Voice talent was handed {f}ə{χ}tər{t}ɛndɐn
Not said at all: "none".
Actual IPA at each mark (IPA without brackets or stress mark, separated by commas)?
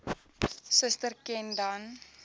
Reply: s, s, k